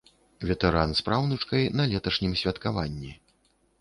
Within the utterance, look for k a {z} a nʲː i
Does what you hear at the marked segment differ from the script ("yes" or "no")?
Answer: yes